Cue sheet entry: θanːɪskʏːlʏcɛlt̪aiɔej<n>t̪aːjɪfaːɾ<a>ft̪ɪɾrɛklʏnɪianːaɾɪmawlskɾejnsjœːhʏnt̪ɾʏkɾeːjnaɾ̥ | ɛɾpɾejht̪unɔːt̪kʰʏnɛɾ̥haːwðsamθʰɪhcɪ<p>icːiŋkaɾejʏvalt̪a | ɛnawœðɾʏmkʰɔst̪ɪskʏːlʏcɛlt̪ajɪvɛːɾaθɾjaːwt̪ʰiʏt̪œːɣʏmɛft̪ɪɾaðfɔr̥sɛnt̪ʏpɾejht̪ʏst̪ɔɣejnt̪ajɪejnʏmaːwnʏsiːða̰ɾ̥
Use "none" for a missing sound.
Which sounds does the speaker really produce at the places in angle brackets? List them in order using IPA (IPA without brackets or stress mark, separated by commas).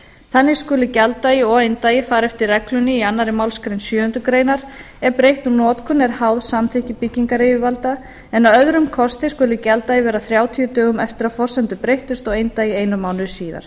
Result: n, ɛ, p